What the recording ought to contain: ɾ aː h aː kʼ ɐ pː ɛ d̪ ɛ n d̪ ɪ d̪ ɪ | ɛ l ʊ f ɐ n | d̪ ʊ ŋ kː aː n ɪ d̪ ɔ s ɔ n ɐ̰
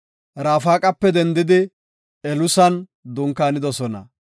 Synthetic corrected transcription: ɾ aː f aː kʼ ɐ pː ɛ d̪ ɛ n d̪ ɪ d̪ ɪ | ɛ l ʊ s ɐ n | d̪ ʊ ŋ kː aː n ɪ d̪ ɔ s ɔ n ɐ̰